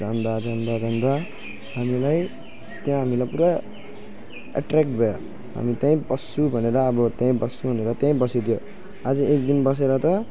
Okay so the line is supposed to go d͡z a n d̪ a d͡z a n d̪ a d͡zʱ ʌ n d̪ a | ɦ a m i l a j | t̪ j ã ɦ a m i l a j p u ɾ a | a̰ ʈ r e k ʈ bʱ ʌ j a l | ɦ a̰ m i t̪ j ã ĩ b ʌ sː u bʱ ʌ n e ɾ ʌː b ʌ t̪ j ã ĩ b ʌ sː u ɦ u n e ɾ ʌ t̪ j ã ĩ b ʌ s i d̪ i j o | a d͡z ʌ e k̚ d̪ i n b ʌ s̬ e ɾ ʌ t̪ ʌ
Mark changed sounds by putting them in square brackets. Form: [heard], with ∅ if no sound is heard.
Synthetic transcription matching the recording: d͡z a n d̪ a d͡z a n d̪ a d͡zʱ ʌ n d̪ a | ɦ a m i l a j | t̪ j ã ɦ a m i l a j p u ɾ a | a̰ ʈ r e k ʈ bʱ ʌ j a [∅] | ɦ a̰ m i t̪ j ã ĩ b ʌ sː u bʱ ʌ n e ɾ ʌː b ʌ t̪ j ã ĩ b ʌ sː u ɦ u n e ɾ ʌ t̪ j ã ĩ b ʌ s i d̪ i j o | a d͡z ʌ e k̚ d̪ i n b ʌ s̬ e ɾ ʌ t̪ ʌ